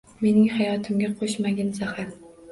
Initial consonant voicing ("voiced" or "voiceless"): voiced